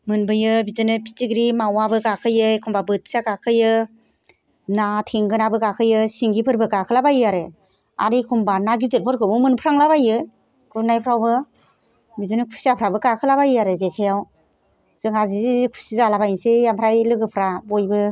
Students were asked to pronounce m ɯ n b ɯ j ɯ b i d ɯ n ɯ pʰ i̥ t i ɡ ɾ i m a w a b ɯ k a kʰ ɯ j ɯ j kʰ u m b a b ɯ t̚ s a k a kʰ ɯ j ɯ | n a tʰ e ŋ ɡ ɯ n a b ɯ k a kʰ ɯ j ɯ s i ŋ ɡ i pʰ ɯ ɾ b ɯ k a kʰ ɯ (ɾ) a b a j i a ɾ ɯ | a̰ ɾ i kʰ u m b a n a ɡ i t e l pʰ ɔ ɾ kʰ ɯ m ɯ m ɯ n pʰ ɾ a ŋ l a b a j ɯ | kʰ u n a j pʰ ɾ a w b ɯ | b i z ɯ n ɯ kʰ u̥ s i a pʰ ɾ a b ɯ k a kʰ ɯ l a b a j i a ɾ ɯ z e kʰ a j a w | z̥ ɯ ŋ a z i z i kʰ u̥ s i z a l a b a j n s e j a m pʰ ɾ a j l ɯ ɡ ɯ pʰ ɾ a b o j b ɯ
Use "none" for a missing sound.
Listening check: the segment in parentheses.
l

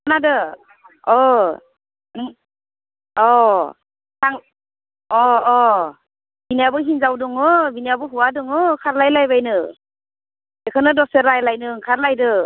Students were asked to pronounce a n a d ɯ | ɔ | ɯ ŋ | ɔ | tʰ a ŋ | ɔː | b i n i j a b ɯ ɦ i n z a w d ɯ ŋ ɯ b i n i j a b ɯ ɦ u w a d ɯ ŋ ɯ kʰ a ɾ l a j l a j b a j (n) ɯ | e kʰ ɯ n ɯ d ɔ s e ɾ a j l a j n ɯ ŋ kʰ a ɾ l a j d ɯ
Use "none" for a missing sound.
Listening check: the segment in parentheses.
n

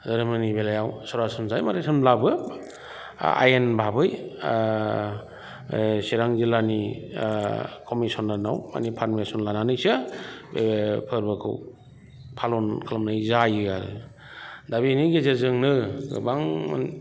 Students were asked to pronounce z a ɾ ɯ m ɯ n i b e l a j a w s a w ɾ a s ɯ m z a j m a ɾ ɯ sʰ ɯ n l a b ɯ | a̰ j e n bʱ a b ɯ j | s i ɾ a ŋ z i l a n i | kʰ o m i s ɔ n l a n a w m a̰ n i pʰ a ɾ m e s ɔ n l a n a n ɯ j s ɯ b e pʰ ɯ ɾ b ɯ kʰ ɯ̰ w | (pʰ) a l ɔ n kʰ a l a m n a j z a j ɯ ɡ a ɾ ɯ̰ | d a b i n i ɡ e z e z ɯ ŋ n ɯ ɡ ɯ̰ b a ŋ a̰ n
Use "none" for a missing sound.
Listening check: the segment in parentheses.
pʰ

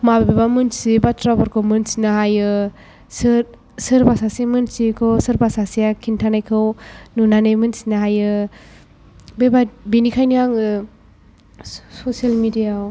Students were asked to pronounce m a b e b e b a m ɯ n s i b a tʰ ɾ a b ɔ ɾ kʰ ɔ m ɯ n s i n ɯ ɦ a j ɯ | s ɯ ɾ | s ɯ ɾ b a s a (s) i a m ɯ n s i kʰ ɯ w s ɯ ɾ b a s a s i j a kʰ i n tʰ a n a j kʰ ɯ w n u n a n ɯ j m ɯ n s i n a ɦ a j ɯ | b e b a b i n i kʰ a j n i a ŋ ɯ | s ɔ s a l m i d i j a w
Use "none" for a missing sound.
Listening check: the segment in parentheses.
s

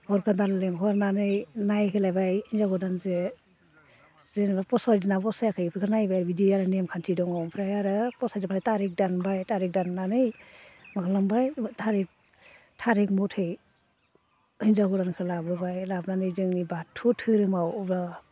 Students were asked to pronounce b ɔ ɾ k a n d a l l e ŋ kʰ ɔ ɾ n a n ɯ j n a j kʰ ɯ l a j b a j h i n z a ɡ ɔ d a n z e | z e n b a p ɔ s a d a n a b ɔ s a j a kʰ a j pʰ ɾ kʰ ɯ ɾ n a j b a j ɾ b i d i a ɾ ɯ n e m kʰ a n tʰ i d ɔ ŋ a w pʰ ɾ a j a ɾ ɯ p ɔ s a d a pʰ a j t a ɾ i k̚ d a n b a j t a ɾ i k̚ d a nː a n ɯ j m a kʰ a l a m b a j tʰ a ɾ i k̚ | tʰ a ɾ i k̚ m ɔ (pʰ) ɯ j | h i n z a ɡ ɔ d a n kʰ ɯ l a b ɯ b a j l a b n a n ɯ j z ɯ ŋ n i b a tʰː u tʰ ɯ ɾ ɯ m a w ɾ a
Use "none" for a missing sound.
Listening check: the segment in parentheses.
tʰ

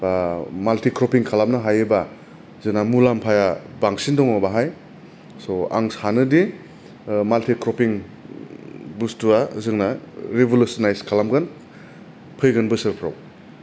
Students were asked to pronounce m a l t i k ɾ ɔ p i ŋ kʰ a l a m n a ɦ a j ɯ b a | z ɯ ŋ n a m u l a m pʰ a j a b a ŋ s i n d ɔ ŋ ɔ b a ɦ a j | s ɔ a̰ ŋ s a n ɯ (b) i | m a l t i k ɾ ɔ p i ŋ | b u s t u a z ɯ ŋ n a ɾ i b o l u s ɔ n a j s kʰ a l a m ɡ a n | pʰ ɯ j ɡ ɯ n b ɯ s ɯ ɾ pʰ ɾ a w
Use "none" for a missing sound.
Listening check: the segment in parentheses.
d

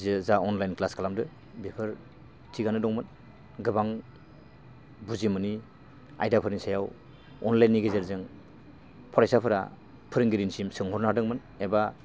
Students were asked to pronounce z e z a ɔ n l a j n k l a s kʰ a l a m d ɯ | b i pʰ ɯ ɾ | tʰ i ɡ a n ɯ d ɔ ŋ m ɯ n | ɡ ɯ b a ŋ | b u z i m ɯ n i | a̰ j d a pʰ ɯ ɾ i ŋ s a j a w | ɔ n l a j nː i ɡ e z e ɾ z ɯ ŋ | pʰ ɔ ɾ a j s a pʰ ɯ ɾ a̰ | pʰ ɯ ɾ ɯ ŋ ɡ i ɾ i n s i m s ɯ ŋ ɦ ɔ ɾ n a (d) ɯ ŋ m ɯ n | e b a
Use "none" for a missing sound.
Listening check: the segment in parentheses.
d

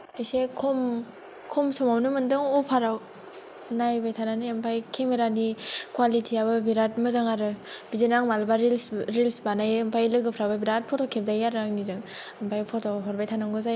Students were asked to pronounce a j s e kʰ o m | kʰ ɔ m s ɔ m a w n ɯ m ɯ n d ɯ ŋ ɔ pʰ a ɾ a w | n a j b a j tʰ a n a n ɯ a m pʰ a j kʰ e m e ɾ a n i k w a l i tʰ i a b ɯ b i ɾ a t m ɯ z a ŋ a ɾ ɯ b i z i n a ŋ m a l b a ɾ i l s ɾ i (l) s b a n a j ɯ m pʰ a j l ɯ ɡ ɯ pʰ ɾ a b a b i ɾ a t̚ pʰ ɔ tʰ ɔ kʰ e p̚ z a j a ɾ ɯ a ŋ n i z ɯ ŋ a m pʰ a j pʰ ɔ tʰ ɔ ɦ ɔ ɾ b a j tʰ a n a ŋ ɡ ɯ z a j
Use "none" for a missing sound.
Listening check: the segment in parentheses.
l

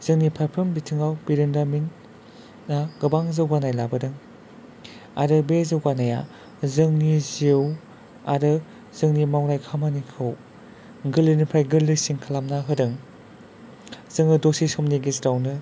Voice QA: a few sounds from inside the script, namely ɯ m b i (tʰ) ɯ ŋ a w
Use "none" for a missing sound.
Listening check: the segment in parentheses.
tʰ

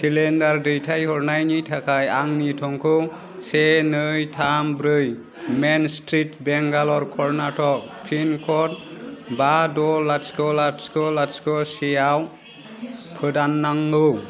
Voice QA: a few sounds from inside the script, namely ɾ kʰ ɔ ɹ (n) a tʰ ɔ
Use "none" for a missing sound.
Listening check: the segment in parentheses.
n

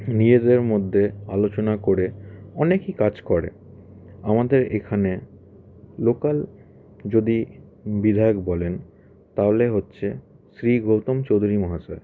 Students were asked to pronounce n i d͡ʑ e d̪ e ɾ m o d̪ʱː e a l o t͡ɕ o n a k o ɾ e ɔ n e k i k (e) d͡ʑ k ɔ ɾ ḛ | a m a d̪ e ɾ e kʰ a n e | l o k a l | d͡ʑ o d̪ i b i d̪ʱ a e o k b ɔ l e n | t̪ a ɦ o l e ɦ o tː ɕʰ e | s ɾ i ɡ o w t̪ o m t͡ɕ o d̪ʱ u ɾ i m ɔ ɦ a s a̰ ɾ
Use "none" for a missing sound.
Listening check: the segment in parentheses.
a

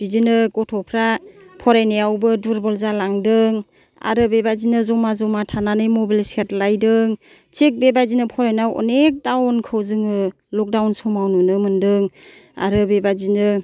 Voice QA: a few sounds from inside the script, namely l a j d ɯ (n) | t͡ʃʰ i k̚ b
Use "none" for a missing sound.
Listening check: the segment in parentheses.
ŋ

